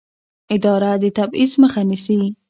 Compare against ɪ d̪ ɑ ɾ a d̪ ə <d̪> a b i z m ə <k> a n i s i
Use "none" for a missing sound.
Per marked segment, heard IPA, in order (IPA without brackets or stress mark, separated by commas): t̪, x